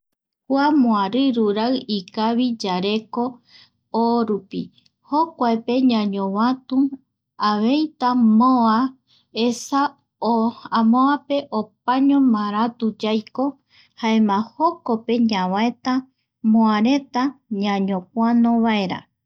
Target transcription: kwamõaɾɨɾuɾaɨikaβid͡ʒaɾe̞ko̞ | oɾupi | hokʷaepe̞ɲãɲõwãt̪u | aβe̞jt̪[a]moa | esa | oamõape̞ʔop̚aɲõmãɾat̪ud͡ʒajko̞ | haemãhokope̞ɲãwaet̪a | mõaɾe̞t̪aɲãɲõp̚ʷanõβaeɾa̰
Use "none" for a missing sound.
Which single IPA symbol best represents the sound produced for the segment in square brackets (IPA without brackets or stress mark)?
a